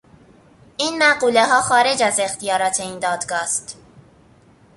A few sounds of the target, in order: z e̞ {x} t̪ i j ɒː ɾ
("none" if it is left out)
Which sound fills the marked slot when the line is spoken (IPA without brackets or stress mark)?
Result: x